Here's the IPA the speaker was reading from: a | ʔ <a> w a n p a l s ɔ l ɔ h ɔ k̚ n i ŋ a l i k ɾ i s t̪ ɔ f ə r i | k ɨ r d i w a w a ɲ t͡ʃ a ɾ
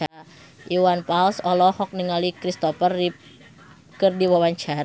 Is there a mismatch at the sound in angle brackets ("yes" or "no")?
yes